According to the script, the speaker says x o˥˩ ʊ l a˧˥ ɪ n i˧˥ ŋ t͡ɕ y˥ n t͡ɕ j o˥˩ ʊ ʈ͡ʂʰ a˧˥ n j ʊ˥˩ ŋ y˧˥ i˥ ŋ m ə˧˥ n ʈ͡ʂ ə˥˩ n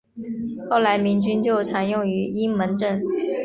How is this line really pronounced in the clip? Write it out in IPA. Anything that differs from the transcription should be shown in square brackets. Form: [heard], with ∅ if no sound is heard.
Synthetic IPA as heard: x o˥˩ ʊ l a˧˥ ɪ [m] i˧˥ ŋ t͡ɕ y˥ n t͡ɕ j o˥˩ ʊ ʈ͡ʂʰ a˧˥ n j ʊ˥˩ ŋ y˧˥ i˥ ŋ m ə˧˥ n ʈ͡ʂ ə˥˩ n